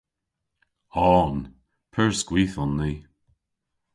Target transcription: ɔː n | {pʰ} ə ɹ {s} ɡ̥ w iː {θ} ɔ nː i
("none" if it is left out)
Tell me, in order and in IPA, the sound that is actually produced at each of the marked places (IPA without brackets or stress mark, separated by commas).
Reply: pʰ, s, θ